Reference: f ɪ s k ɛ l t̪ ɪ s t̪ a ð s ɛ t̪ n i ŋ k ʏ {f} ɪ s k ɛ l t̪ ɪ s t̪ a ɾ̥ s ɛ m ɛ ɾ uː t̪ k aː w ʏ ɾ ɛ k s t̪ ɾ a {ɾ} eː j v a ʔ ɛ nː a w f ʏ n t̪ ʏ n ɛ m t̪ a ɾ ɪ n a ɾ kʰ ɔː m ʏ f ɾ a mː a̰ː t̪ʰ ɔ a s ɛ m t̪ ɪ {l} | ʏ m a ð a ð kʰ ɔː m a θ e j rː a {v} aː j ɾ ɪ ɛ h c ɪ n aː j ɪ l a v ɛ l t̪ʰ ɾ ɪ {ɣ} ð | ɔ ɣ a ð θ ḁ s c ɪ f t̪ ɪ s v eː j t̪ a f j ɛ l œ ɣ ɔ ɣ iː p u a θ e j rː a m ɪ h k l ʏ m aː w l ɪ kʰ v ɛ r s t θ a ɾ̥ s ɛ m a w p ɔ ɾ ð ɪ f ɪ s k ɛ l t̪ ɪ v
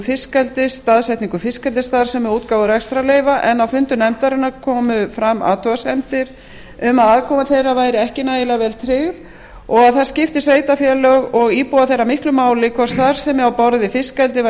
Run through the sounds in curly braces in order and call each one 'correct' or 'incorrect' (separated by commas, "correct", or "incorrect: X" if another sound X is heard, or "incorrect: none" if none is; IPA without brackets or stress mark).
correct, incorrect: l, incorrect: ɾ, correct, correct